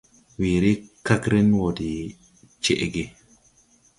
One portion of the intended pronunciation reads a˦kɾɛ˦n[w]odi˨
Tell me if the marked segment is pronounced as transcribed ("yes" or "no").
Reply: yes